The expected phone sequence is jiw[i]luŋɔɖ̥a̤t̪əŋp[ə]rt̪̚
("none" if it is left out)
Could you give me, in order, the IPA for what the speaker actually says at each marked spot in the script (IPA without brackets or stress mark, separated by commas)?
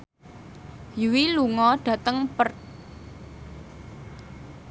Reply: i, ə